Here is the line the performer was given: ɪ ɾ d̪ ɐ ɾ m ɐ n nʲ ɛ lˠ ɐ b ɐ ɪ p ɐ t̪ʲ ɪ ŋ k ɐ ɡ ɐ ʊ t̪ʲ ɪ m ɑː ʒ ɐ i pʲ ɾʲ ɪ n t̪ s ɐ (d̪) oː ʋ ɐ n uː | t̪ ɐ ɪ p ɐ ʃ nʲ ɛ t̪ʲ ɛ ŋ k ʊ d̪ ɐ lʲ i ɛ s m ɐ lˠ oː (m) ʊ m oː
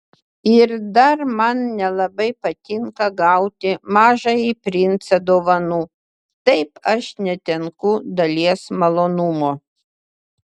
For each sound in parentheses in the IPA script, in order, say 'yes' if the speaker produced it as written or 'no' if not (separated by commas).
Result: yes, no